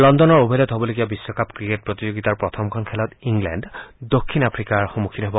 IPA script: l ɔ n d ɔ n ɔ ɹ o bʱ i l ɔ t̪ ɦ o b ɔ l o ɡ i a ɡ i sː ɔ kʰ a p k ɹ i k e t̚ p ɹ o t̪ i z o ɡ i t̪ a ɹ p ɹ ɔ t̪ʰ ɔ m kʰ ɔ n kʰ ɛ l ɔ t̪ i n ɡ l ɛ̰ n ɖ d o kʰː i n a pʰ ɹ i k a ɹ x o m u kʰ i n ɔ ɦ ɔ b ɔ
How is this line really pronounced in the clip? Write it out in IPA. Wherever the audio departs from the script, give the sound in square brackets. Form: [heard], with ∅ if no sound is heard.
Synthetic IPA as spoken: l ɔ n d ɔ n ɔ ɹ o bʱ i l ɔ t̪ ɦ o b ɔ l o ɡ i a [b] i sː ɔ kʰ a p k ɹ i k e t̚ p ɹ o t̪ i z o ɡ i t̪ a ɹ p ɹ ɔ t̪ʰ ɔ m kʰ ɔ n kʰ ɛ l ɔ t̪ i [ŋ] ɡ l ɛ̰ n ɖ d o kʰː i n a pʰ ɹ i k a ɹ x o m u kʰ i n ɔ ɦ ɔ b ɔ